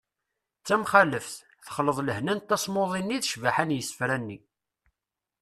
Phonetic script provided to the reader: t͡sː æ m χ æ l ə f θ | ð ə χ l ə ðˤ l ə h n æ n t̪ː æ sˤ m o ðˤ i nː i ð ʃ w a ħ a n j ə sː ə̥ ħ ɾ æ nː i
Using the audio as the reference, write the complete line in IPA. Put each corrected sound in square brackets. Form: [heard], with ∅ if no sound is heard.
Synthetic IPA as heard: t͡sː æ m χ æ l ə f θ | [θ] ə χ l ə ðˤ l ə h n æ n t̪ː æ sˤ m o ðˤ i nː i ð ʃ [v] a ħ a n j ə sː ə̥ [f] ɾ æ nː i